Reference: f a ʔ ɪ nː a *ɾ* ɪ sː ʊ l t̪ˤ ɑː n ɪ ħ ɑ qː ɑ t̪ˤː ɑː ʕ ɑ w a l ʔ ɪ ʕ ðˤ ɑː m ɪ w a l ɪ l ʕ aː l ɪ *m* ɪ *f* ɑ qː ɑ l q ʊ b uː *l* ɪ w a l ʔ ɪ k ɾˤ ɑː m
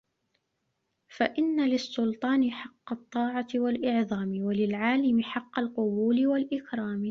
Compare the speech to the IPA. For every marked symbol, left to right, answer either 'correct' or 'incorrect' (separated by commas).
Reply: incorrect, correct, incorrect, correct